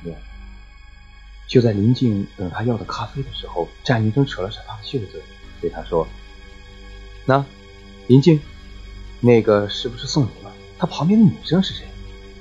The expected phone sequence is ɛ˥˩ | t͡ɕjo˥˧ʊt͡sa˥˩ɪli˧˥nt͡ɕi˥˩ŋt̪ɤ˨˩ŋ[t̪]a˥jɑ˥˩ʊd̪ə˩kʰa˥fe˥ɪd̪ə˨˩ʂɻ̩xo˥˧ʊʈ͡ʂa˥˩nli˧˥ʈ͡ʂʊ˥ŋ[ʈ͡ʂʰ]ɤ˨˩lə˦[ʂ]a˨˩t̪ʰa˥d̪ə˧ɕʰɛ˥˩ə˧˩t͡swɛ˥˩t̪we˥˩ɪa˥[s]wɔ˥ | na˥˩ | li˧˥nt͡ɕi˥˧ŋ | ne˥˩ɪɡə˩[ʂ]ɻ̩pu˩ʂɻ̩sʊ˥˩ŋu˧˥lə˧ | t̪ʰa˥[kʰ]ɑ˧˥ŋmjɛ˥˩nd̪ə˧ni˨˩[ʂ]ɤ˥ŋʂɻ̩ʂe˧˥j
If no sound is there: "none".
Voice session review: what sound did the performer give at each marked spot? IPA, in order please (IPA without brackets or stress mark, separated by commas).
t̪ʰ, ʈ͡ʂʰ, ʂ, ʂ, ʂ, pʰ, ʂ